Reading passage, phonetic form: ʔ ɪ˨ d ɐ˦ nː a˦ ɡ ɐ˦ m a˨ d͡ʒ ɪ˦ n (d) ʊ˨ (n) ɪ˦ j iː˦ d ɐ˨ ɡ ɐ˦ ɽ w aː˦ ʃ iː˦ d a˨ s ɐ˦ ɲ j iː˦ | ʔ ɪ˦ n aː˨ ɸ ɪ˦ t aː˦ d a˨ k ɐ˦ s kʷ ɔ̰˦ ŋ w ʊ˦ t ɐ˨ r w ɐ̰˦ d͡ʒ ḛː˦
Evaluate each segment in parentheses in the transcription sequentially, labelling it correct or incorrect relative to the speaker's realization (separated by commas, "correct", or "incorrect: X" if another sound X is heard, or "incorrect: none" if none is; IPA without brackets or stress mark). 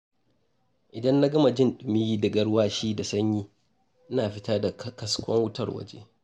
incorrect: ɗ, incorrect: m